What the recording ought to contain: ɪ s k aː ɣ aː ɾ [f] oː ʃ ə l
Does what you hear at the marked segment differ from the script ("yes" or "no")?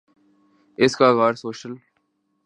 yes